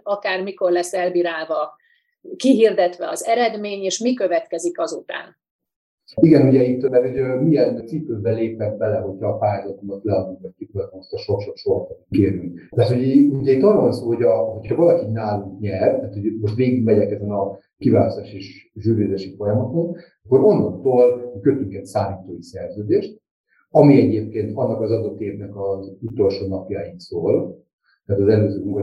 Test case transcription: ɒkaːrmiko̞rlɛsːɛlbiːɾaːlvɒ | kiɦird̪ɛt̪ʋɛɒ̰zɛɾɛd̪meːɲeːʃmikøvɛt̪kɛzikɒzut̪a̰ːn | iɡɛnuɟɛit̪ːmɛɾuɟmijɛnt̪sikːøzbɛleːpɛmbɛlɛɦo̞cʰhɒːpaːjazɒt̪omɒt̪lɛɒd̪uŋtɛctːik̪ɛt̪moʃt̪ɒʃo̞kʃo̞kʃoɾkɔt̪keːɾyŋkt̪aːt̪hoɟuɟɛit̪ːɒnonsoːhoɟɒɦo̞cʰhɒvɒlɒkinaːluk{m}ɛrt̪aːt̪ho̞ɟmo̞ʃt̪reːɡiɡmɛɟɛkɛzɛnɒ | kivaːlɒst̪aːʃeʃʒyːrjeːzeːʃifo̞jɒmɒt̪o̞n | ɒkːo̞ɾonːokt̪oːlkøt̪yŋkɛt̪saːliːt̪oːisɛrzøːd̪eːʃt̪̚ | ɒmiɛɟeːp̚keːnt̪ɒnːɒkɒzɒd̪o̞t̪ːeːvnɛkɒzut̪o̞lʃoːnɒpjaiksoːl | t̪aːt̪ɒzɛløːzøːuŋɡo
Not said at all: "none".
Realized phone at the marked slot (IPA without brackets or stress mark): ɲ